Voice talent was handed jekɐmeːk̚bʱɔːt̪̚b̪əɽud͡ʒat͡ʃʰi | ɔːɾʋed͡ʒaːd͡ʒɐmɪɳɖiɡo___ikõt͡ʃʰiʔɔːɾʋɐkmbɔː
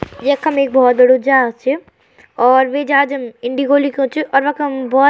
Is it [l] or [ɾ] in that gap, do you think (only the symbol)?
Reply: l